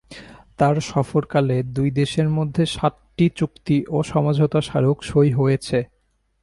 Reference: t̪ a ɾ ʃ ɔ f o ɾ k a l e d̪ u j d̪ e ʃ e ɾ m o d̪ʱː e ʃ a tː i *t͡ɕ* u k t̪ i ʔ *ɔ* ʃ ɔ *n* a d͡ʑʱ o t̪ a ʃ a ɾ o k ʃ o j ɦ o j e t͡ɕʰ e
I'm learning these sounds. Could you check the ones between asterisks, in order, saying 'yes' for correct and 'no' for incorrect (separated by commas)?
yes, no, no